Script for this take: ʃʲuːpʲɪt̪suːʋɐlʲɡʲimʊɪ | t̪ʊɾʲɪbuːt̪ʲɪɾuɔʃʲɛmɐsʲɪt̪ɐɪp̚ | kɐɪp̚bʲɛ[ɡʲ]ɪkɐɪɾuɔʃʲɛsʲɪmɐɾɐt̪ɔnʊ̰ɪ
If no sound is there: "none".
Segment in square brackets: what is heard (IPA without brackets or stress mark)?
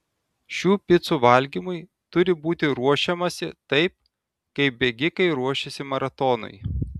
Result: ɡʲ